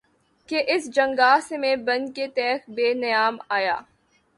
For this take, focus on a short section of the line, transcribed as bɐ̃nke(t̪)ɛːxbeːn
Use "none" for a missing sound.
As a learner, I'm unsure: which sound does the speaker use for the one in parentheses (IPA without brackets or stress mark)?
t̪